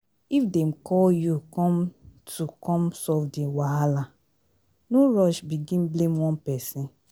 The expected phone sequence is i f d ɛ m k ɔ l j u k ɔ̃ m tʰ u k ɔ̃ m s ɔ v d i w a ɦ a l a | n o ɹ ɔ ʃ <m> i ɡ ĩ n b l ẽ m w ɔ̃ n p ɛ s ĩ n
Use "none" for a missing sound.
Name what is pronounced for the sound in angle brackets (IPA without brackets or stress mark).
b